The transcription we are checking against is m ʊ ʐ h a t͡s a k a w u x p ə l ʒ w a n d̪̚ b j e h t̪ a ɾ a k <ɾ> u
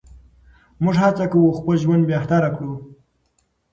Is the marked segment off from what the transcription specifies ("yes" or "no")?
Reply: yes